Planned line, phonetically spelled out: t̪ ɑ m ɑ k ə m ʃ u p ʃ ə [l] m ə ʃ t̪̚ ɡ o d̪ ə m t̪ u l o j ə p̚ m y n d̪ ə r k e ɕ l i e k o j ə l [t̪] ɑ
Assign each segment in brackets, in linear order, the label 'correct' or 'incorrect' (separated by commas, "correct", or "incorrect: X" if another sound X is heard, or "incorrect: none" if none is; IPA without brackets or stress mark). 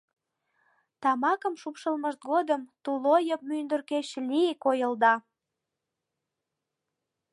correct, incorrect: d̪